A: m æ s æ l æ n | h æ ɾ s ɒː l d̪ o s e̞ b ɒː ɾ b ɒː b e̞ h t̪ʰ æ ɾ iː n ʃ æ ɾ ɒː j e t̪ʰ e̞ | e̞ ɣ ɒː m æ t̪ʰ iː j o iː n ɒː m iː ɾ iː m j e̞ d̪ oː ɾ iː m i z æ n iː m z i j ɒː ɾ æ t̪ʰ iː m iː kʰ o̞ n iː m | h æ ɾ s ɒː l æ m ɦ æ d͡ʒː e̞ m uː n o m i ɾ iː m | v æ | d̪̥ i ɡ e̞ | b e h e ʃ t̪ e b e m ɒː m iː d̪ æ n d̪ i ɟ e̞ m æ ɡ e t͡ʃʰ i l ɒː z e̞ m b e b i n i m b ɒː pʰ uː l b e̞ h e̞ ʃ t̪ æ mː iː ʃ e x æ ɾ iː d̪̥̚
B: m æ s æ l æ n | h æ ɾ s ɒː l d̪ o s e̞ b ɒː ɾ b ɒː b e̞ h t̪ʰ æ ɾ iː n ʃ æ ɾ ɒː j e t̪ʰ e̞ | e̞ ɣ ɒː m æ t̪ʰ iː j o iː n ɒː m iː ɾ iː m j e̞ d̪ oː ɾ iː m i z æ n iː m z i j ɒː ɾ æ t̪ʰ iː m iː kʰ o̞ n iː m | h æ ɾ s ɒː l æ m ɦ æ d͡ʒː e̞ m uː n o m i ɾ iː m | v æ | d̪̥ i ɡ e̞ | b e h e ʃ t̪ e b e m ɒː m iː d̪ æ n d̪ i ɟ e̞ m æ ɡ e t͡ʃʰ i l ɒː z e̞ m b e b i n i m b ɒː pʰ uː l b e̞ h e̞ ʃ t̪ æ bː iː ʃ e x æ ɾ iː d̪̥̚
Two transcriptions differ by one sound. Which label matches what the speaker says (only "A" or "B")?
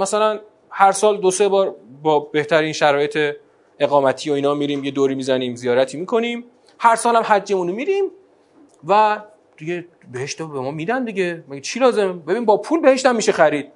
A